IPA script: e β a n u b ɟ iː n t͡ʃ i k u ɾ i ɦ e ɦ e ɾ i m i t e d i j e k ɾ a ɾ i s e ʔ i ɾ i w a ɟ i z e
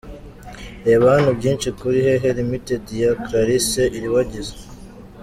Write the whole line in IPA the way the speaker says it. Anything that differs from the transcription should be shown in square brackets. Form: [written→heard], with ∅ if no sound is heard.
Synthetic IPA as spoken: e β a n u b ɟ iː n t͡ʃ i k u ɾ i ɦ e ɦ e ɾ i m i t e d i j [e→a] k ɾ a ɾ i s e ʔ i ɾ i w a ɟ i z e